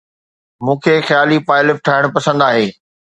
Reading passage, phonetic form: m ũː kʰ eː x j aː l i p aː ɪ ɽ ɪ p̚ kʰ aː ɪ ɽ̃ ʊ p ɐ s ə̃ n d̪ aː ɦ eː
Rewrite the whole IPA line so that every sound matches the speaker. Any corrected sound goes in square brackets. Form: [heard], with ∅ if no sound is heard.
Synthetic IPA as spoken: m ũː kʰ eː x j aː l i p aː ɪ [l] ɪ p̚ [ʈʰ] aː ɪ ɽ̃ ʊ p ɐ s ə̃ n d̪ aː ɦ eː